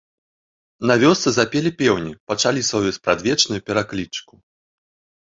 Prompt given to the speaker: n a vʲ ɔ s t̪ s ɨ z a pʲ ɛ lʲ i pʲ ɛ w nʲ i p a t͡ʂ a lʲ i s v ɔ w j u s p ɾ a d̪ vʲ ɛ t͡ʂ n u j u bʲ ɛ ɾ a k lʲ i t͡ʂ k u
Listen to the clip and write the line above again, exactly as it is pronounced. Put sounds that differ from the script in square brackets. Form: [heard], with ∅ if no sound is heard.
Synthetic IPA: n a vʲ ɔ s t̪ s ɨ z a pʲ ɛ lʲ i pʲ ɛ w nʲ i p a t͡ʂ a lʲ i s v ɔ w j u s p ɾ a d̪ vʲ ɛ t͡ʂ n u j u [pʲ] ɛ ɾ a k lʲ i t͡ʂ k u